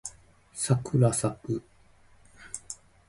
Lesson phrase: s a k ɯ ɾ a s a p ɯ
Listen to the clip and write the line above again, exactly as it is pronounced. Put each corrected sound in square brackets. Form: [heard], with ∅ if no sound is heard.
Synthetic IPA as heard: s a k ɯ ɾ a s a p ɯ